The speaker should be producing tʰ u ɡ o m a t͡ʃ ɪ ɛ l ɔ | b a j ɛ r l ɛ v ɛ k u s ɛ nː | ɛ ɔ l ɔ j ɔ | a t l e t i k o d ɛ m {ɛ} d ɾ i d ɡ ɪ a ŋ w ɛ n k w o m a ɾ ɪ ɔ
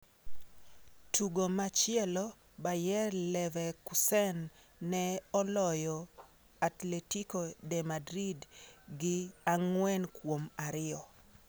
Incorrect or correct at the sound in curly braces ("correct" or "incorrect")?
incorrect